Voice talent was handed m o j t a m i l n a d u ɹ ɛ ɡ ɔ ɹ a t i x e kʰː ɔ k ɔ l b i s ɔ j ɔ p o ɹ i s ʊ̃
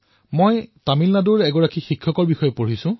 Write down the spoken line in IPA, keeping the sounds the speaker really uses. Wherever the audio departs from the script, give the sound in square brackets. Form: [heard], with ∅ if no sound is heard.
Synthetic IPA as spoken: m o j t a m i l n a d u ɹ ɛ ɡ ɔ ɹ a [k] i x [i] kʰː ɔ k ɔ [ɹ] b i [x] ɔ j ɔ p o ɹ i s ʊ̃